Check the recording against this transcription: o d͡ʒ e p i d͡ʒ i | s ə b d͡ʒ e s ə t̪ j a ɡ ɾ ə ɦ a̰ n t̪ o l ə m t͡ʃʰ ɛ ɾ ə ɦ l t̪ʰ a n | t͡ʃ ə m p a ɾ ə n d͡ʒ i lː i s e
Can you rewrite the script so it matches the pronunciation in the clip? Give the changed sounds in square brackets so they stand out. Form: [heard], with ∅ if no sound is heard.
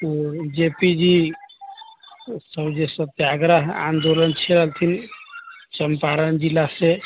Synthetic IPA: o d͡ʒ e p i d͡ʒ i | s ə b d͡ʒ e s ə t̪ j a ɡ ɾ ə ɦ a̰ n [d̪] o l ə [n] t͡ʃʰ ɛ ɾ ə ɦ l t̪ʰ [i] n | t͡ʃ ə m p a ɾ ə n d͡ʒ i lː [a] s e